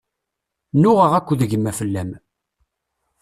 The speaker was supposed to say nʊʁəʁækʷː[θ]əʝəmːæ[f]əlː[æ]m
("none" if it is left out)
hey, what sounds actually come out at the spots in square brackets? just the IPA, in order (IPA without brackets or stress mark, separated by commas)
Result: ð, f, æ